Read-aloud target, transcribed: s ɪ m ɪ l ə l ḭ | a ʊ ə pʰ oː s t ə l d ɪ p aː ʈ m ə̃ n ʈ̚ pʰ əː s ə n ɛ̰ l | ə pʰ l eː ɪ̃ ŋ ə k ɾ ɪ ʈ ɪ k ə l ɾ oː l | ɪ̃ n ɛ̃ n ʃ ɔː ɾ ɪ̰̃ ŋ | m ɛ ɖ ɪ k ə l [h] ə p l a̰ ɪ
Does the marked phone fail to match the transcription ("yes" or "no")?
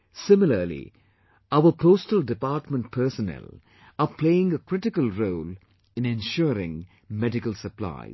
yes